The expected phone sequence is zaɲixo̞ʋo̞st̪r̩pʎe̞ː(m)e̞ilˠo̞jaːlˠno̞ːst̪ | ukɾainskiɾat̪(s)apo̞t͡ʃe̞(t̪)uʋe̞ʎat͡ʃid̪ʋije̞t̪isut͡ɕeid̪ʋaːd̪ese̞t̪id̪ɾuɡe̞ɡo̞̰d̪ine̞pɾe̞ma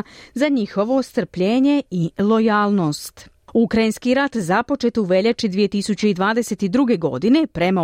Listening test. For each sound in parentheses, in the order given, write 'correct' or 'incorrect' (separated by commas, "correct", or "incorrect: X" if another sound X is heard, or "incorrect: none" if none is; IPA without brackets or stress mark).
incorrect: ɲ, incorrect: z, correct